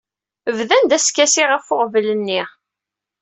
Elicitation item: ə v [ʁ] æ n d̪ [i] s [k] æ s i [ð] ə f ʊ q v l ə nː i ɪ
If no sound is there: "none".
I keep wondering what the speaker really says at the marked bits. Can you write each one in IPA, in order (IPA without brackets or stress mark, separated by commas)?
ð, æ, k, ʁ